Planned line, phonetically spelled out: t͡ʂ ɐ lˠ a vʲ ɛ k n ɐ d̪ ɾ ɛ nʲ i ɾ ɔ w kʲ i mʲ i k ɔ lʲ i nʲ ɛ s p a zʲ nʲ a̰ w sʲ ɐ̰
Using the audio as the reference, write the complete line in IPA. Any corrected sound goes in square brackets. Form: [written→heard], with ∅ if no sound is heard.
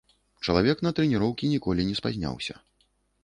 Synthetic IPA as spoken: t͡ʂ ɐ lˠ a vʲ ɛ k n ɐ [d̪→t̪] ɾ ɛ nʲ i ɾ ɔ w kʲ i [mʲ→nʲ] i k ɔ lʲ i nʲ ɛ s p a zʲ nʲ a̰ w sʲ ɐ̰